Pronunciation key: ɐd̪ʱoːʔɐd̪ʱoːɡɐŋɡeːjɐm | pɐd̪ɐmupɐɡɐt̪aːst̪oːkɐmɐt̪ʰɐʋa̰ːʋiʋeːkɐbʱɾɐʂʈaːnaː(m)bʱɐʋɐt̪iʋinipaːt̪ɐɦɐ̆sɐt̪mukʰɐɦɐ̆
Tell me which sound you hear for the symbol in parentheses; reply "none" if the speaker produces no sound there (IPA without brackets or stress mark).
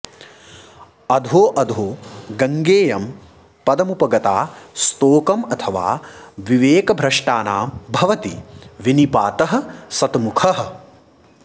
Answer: m